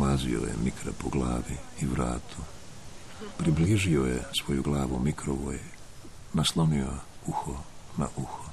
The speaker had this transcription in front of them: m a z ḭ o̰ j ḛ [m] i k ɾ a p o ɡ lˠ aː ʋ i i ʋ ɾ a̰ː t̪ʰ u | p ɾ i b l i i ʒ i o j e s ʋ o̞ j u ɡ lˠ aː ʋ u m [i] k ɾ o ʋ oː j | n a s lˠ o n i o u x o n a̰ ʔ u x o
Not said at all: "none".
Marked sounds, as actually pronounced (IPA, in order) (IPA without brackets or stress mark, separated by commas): m, i